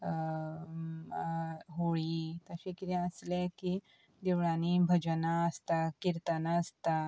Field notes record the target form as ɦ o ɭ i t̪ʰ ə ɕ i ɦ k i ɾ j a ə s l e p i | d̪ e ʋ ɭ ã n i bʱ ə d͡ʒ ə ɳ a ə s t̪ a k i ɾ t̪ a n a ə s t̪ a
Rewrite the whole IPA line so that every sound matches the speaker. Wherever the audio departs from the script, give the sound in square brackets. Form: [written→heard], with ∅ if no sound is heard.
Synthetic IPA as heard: ɦ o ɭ i [t̪ʰ→t̪] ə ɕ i [ɦ→∅] k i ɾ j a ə s l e [p→k] i | d̪ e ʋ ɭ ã n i bʱ ə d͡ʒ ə [ɳ→n] a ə s t̪ a k i ɾ t̪ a n a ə s t̪ a